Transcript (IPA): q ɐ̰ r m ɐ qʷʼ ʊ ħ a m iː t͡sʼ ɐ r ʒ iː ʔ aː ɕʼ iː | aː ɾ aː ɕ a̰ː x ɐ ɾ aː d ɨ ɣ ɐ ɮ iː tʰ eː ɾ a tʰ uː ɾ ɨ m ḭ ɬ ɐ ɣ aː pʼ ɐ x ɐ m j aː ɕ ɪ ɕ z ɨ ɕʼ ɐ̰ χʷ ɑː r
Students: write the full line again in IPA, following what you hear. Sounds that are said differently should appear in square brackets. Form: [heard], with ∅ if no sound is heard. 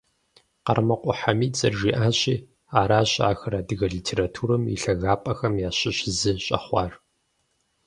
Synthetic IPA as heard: q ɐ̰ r m ɐ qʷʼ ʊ ħ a m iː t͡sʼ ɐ r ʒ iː ʔ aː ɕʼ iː | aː ɾ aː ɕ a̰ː x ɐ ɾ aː d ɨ ɣ ɐ ɮ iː tʰ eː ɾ a tʰ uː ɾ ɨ m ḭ ɬ ɐ ɣ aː pʼ ɐ x ɐ m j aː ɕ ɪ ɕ z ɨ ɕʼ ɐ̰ χʷ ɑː r